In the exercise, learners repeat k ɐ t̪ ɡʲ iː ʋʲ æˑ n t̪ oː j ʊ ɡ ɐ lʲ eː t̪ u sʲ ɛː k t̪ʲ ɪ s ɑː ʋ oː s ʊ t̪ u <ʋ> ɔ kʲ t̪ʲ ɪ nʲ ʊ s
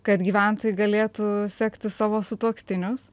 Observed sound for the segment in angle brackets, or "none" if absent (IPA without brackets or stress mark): none